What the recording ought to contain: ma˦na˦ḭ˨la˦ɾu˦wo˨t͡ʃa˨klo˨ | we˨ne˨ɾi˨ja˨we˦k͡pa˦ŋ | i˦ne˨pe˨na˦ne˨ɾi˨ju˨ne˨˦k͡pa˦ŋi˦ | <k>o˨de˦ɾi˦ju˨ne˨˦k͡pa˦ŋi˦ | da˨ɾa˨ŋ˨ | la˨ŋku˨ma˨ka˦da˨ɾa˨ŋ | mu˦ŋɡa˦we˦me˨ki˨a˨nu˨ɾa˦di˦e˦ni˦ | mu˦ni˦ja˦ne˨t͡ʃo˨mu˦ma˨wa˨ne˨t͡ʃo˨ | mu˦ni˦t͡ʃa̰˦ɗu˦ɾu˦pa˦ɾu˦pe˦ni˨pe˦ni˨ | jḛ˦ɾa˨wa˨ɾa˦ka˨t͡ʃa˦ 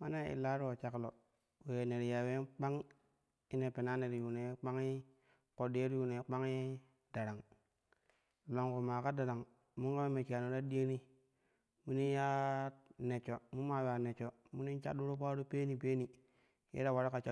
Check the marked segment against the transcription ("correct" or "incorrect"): correct